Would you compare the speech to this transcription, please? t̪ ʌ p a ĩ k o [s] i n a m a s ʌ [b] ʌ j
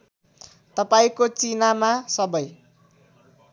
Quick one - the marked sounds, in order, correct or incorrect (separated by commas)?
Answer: incorrect, correct